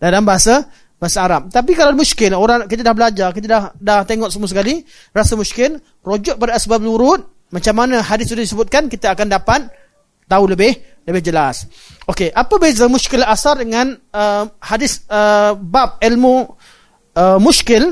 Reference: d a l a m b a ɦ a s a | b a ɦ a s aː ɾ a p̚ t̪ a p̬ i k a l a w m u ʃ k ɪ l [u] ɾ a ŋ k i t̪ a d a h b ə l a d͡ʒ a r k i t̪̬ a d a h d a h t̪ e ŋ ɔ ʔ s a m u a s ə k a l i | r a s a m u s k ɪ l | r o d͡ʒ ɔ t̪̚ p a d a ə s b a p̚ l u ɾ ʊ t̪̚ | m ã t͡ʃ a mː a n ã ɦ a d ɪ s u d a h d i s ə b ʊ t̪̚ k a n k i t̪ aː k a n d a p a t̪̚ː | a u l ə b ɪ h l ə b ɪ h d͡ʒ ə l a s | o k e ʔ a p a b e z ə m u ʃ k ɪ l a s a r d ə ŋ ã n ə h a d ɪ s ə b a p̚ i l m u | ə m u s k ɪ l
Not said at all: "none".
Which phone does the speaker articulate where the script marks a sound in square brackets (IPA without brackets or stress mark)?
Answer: o